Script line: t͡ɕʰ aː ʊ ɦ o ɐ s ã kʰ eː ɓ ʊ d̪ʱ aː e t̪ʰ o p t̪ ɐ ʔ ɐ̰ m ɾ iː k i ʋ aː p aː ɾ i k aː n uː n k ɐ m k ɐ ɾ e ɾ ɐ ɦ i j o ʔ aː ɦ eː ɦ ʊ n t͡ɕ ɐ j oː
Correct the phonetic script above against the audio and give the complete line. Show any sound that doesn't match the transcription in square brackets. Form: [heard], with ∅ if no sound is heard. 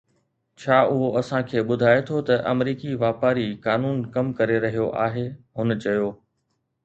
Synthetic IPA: t͡ɕʰ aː ʊ ɦ o ɐ s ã kʰ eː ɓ ʊ d̪ʱ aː e t̪ʰ o [∅] t̪ ɐ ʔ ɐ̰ m ɾ iː k i ʋ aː p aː ɾ i k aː n uː n k ɐ m k ɐ ɾ e ɾ ɐ ɦ i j o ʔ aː ɦ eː ɦ ʊ n t͡ɕ ɐ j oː

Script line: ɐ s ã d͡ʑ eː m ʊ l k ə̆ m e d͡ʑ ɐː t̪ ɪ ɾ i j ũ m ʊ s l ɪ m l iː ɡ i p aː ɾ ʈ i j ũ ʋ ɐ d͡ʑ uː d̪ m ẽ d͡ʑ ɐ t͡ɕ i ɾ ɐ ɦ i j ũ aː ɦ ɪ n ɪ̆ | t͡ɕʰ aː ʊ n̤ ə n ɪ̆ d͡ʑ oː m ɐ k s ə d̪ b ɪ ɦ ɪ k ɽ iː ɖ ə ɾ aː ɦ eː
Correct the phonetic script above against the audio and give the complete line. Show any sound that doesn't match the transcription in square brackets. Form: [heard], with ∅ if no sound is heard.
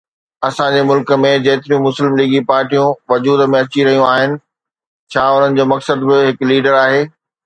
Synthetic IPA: ɐ s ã d͡ʑ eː m ʊ l k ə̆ m [ẽ] d͡ʑ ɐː t̪ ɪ ɾ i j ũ m ʊ s l ɪ m l iː ɡ i p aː ɾ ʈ i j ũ ʋ ɐ d͡ʑ uː d̪ m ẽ [∅] ɐ t͡ɕ i ɾ ɐ ɦ i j ũ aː ɦ ɪ n ɪ̆ | t͡ɕʰ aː ʊ n̤ ə n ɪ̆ d͡ʑ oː m ɐ k s ə d̪ b ɪ ɦ ɪ k [l] iː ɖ ə ɾ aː ɦ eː

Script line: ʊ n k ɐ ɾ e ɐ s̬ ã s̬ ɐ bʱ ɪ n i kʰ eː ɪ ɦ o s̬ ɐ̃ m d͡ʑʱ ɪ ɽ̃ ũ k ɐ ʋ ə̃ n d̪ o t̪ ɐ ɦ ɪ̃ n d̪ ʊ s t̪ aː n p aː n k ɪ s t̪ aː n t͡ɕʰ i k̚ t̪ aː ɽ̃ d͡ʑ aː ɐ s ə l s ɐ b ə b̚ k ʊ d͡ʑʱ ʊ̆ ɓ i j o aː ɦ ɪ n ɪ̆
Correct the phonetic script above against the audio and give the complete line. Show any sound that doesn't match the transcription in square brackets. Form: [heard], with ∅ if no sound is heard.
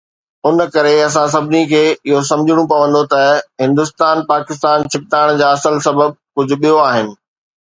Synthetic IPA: ʊ n k ɐ ɾ e ɐ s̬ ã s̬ ɐ bʱ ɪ n i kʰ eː ɪ ɦ o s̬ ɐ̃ m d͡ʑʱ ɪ ɽ̃ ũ [p] ɐ ʋ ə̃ n d̪ o t̪ ɐ ɦ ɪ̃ n d̪ ʊ s t̪ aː n p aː [∅] k ɪ s t̪ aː n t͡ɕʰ [ɪ] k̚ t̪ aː ɽ̃ d͡ʑ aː ɐ s ə l s ɐ b ə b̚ k ʊ d͡ʑʱ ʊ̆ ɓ i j o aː ɦ ɪ n ɪ̆

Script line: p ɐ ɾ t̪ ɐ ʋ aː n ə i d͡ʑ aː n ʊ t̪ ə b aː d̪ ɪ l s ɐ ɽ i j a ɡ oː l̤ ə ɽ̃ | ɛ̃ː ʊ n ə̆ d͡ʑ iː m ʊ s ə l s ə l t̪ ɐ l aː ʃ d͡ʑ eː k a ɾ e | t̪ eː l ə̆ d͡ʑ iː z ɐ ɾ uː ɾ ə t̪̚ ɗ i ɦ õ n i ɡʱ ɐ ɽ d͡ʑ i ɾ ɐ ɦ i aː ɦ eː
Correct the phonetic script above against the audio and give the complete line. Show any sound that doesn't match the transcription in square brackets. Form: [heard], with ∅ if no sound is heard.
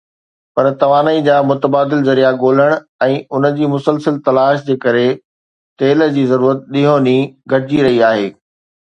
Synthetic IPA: p ɐ ɾ t̪ ɐ ʋ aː n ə i d͡ʑ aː [m] ʊ t̪ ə b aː d̪ ɪ l [z] ɐ [ɾ] i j a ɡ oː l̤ ə ɽ̃ | ɛ̃ː ʊ n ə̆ d͡ʑ iː m ʊ s ə l s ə l t̪ ɐ l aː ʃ d͡ʑ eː k [ɐ] ɾ e | t̪ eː l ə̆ d͡ʑ iː z ɐ ɾ uː ɾ ə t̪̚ ɗ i ɦ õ n i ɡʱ ɐ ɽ d͡ʑ i ɾ ɐ ɦ i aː ɦ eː

